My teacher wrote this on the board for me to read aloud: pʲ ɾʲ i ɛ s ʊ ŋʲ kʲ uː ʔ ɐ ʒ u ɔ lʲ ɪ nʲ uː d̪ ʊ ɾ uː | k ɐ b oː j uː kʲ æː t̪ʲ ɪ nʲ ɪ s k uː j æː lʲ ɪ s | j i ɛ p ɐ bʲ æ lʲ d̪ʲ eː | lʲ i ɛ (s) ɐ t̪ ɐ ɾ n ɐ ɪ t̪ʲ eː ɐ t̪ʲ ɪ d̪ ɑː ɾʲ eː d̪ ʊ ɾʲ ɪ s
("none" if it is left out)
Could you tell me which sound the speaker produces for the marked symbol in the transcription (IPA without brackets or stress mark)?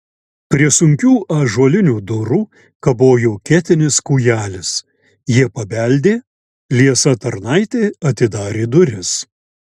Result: s